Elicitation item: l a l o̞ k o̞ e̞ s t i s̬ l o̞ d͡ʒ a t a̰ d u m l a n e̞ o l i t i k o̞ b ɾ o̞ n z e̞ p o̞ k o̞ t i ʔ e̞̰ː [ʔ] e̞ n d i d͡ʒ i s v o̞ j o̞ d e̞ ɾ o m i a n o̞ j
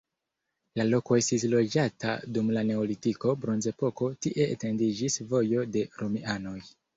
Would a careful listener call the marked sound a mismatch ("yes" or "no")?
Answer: yes